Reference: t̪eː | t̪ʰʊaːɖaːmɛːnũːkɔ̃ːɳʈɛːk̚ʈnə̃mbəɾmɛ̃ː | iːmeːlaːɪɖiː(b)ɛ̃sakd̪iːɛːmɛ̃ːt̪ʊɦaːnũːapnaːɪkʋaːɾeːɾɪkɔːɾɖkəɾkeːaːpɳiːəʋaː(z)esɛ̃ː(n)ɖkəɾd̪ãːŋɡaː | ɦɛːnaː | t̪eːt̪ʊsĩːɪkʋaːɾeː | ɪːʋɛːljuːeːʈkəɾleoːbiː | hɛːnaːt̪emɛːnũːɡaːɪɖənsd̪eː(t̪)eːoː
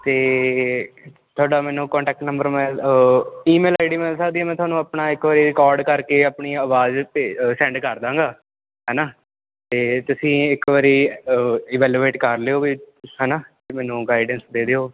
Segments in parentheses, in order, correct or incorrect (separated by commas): incorrect, correct, incorrect, incorrect